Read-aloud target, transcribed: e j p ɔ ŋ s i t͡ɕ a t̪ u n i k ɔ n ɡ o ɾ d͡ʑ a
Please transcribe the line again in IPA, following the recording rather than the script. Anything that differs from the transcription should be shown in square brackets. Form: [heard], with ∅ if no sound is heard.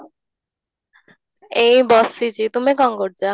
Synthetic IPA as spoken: e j [b] ɔ [∅] s i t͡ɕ [i] t̪ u [m] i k ɔ [ŋ] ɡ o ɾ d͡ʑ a